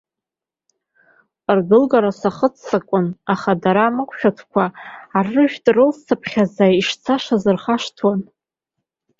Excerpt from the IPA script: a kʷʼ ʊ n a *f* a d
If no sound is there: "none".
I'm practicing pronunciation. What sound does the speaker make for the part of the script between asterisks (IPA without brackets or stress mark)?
χ